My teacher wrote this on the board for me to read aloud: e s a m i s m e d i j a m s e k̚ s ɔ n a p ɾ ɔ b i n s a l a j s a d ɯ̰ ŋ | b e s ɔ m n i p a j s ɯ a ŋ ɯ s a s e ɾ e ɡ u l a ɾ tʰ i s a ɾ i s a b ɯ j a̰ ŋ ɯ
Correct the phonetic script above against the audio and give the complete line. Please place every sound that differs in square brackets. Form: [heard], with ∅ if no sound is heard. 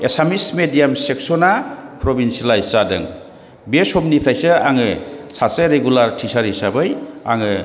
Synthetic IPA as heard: e s a m i s m e d i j a m s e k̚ s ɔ n a p ɾ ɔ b i n s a l a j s a d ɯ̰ ŋ | b e s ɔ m n i [pʰ] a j s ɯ a ŋ ɯ s a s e ɾ e ɡ u l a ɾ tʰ i s a ɾ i s a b ɯ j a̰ ŋ ɯ